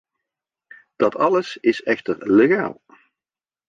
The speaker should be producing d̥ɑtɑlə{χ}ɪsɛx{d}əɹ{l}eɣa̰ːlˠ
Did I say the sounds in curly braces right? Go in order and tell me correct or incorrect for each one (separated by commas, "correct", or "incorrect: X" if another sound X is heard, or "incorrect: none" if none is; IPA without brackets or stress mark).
incorrect: s, incorrect: t, correct